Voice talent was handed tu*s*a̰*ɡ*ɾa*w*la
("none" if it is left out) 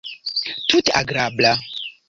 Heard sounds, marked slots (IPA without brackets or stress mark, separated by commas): t, ɡ, b